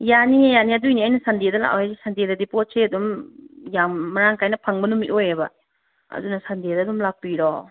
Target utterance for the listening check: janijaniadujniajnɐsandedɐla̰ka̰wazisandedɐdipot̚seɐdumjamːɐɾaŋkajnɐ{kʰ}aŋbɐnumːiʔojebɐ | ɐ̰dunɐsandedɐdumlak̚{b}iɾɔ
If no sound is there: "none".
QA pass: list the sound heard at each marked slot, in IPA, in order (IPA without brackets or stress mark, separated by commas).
pʰ, p